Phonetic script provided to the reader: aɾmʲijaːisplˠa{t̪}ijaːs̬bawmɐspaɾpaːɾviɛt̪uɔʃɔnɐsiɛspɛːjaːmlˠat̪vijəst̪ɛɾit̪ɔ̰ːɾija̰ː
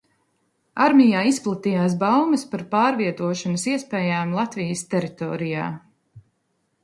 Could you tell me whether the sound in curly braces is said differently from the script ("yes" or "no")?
no